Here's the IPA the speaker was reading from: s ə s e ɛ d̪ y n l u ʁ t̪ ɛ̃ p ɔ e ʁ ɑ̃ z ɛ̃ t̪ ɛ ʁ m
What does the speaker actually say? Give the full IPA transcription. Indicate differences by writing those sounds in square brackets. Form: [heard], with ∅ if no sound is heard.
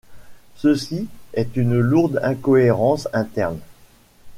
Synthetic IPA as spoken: s ə s [i] ɛ [t̪] y n l u ʁ [d̪] ɛ̃ [k] ɔ e ʁ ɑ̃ [s] ɛ̃ t̪ ɛ ʁ [n]

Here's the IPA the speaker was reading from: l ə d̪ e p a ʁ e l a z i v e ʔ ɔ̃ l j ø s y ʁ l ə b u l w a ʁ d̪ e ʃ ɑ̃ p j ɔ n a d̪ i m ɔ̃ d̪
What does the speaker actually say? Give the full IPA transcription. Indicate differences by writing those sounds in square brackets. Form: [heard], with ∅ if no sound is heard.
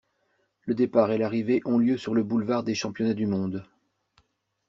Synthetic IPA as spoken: l ə d̪ e p a ʁ e l a [ʁ] i v e ʔ ɔ̃ l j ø s y ʁ l ə b u l [v] a ʁ d̪ e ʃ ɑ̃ p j ɔ n a d̪ [y] m ɔ̃ d̪

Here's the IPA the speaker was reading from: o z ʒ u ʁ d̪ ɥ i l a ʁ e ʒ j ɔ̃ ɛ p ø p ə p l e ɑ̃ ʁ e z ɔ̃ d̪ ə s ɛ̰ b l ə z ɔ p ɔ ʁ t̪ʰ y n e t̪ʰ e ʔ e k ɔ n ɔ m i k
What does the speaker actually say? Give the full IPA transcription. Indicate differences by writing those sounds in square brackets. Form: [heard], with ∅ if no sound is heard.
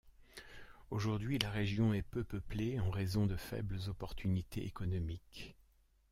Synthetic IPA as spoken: o [∅] ʒ u ʁ d̪ ɥ i l a ʁ e ʒ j ɔ̃ ɛ p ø p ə p l e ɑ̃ ʁ e z ɔ̃ d̪ ə [f] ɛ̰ b l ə z ɔ p ɔ ʁ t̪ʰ y n [i] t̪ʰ e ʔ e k ɔ n ɔ m i k

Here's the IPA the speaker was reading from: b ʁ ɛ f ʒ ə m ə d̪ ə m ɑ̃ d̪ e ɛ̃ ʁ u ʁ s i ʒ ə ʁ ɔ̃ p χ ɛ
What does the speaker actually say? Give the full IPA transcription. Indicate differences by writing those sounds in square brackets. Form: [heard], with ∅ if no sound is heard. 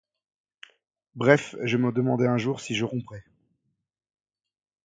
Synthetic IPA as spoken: b ʁ ɛ f ʒ ə m ə d̪ ə m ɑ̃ d̪ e ɛ̃ [ʒ] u ʁ s i ʒ ə ʁ ɔ̃ p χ ɛ

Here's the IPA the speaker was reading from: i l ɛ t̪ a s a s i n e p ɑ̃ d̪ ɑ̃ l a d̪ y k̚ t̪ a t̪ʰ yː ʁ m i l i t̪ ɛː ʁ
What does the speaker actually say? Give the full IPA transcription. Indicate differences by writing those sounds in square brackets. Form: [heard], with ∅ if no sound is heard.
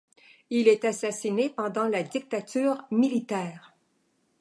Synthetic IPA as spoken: i l ɛ t̪ a s a s i n e p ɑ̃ d̪ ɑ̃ l a d̪ [i] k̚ t̪ a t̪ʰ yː ʁ m i l i t̪ ɛː ʁ

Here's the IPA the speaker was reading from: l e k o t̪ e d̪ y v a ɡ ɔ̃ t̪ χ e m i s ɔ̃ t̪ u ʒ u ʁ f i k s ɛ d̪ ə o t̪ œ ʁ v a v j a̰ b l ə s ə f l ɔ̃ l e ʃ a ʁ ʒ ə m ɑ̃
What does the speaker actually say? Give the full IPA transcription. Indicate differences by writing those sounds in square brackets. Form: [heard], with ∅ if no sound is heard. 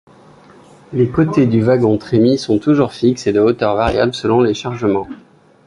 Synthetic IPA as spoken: l e k o t̪ e d̪ y v a ɡ ɔ̃ t̪ χ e m i s ɔ̃ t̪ u ʒ u ʁ f i k s [e] d̪ ə o t̪ œ ʁ v a [ʁ] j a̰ b l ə s ə [∅] l ɔ̃ l e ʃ a ʁ ʒ ə m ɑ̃

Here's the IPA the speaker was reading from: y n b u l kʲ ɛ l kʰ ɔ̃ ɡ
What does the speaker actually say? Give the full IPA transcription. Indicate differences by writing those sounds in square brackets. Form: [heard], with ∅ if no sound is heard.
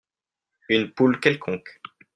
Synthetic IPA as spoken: y n [p] u l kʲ ɛ l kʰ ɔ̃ [k]

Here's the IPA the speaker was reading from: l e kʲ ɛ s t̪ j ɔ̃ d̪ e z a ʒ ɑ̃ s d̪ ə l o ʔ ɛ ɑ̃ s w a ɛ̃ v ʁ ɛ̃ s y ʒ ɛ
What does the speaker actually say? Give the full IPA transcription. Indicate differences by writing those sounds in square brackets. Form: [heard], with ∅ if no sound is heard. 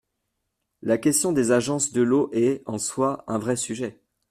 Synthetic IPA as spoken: l [a] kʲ ɛ s t̪ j ɔ̃ d̪ e z a ʒ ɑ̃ s d̪ ə l o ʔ ɛ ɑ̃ s w a ɛ̃ v ʁ [ɛ] s y ʒ ɛ

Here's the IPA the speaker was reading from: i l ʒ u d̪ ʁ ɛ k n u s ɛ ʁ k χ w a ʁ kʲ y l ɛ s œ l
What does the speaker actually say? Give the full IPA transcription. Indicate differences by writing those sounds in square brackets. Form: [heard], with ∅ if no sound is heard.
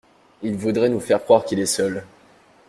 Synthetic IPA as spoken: i l [v] u d̪ ʁ ɛ [∅] n u [f] ɛ ʁ k χ w a ʁ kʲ [i] l ɛ s œ l

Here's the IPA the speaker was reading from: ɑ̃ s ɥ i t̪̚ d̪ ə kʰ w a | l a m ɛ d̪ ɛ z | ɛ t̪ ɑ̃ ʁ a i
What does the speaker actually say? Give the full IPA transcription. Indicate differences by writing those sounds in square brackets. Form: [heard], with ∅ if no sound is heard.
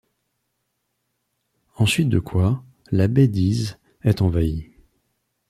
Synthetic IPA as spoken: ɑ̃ s ɥ i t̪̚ d̪ ə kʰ w a | l a [b] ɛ d̪ [i] z | ɛ t̪ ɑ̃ [v] a i

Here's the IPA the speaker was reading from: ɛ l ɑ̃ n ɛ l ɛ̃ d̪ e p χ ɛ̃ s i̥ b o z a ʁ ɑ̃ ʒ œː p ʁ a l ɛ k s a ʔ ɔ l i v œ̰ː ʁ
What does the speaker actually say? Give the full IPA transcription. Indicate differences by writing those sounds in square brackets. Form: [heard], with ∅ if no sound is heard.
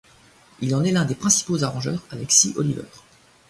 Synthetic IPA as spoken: [i] l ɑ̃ n ɛ l ɛ̃ d̪ e p χ ɛ̃ s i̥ [p] o z a ʁ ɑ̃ ʒ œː [∅] ʁ a l ɛ k s [i] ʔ ɔ l i v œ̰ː ʁ

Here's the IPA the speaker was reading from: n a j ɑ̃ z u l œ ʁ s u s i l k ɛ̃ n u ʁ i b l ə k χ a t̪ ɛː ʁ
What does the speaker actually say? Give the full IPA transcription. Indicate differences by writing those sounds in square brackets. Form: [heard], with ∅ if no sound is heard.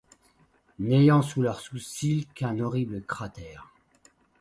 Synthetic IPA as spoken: n [e] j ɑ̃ [s] u l œ ʁ s u s i l k ɛ̃ n [ɔ] ʁ i b l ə k χ a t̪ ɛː ʁ

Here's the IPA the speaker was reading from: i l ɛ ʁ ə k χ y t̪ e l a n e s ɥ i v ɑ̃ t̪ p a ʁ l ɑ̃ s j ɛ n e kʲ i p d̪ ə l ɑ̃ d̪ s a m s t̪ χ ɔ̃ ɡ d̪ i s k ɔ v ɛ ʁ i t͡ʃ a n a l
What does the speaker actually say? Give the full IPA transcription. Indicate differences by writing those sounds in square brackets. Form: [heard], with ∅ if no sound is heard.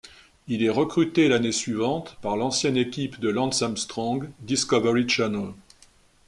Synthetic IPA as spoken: i l ɛ ʁ ə k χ y t̪ e l a n e s ɥ i v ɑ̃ t̪ p a ʁ l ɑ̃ s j ɛ n e kʲ i p d̪ ə l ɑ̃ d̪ s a m s t̪ χ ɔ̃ ɡ d̪ i s k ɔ v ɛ ʁ i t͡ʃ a n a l

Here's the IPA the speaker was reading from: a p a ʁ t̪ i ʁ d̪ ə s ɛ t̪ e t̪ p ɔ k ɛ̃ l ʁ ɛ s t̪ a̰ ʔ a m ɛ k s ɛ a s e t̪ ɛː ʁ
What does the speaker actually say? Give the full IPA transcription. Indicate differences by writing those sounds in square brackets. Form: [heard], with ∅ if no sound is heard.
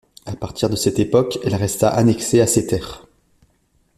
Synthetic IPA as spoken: a p a ʁ t̪ i ʁ d̪ ə s ɛ t̪ e [∅] p ɔ k [ɛ] l ʁ ɛ s t̪ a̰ ʔ a [n] ɛ k s [e] a s e t̪ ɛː ʁ

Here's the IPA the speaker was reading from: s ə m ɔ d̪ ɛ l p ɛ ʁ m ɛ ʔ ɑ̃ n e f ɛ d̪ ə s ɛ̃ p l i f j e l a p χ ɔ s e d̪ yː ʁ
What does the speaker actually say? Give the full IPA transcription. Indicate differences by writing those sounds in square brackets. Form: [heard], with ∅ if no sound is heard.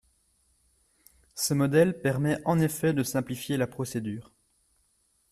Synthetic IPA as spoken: s ə m ɔ d̪ ɛ l p ɛ ʁ m ɛ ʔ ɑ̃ n e f ɛ d̪ ə s ɛ̃ p l i f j e l a p χ ɔ s e d̪ yː ʁ

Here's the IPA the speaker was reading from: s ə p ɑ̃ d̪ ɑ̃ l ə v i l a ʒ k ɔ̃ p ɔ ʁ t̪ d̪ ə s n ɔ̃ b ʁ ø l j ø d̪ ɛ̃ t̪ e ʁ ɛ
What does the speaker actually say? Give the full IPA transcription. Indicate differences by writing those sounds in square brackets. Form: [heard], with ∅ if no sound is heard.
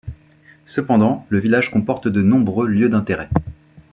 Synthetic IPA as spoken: s ə p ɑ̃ d̪ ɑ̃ l ə v i l a ʒ k ɔ̃ p ɔ ʁ t̪ d̪ ə [∅] n ɔ̃ b ʁ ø l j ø d̪ ɛ̃ t̪ e ʁ ɛ

